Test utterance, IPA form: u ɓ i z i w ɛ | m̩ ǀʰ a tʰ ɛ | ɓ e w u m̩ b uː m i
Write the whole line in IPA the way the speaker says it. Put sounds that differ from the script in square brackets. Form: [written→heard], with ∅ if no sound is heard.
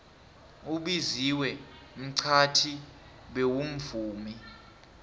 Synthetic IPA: u ɓ i z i w ɛ | m̩ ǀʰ a tʰ [ɛ→i] | ɓ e w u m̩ [b→v] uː m i